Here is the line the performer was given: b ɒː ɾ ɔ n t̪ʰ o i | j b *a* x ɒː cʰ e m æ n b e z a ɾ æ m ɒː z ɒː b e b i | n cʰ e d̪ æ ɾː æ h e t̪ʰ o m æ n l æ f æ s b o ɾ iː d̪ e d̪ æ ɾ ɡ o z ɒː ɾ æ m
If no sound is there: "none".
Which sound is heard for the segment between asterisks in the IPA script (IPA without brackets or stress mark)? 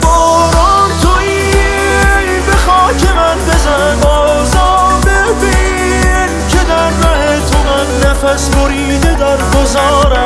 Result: e